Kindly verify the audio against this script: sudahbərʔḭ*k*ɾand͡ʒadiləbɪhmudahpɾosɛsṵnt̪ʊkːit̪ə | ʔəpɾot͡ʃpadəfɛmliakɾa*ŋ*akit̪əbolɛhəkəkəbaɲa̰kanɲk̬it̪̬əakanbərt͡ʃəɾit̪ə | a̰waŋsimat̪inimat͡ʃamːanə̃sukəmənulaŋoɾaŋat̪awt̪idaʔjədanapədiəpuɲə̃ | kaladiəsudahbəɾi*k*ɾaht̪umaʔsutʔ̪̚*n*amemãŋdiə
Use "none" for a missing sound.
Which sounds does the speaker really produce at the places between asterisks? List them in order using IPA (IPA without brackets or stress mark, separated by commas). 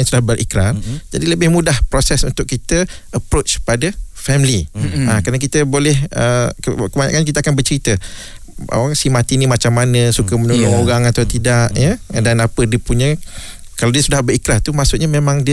k, n, k, ɲ